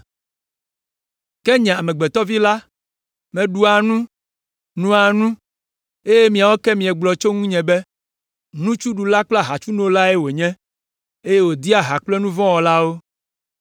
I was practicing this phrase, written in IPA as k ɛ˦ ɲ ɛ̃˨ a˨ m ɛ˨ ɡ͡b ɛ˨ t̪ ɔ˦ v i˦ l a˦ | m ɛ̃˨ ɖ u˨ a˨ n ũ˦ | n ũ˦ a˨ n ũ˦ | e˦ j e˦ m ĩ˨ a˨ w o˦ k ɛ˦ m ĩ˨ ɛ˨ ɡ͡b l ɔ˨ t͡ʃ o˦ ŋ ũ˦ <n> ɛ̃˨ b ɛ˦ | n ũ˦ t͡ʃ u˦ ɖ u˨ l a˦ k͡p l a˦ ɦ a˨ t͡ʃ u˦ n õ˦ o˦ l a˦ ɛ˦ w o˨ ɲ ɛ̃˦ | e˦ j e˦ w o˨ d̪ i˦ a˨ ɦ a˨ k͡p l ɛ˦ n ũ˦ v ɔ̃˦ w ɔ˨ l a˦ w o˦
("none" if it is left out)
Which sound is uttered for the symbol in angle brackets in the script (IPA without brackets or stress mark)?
ɲ